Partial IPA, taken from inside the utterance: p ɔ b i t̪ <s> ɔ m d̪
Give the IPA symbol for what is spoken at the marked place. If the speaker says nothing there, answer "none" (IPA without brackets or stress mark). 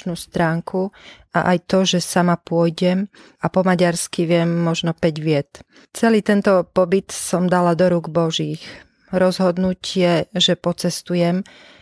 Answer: s